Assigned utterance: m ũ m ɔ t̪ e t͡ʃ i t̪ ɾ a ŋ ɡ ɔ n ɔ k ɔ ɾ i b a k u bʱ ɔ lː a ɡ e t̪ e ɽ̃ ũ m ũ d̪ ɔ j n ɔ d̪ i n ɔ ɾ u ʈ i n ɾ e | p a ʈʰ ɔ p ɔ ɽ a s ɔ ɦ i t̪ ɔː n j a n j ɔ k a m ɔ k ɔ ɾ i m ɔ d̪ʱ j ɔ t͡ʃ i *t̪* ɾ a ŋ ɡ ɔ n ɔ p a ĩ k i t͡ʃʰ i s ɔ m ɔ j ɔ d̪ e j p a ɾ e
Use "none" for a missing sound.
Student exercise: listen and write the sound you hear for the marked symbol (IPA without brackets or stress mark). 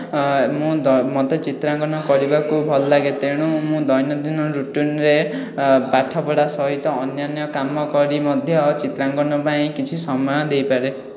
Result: t̪